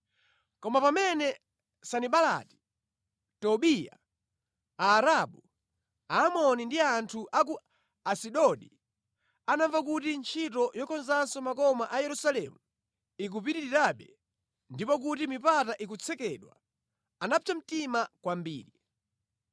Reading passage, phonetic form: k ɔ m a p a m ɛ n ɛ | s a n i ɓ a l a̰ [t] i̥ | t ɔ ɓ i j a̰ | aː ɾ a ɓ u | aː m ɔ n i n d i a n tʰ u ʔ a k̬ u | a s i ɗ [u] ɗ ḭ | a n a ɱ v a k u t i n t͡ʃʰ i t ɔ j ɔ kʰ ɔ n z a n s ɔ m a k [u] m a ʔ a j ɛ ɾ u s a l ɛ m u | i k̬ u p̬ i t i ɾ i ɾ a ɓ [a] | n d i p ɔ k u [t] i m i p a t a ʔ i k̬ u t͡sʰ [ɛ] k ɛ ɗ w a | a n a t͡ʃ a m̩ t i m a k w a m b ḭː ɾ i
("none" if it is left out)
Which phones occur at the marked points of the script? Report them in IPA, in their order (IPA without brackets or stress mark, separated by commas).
t, ɔ, ɔ, ɛ, t, ɛ